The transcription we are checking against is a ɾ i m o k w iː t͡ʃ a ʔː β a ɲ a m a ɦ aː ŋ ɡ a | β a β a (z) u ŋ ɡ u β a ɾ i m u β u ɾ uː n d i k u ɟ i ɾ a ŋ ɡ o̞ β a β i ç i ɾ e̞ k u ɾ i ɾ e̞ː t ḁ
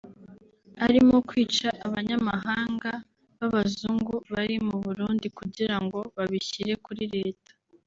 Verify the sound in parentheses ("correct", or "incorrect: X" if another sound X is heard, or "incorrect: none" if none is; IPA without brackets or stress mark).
correct